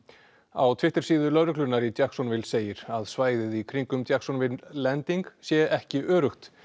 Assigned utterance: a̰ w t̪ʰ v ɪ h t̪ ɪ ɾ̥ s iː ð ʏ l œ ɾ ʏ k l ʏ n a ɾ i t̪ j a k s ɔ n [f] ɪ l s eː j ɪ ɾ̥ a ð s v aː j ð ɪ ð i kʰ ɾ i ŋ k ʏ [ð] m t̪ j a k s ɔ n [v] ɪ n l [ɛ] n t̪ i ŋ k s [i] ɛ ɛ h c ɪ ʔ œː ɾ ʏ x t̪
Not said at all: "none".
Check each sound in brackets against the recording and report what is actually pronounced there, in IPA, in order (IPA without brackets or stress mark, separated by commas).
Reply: v, none, v, ɛ, j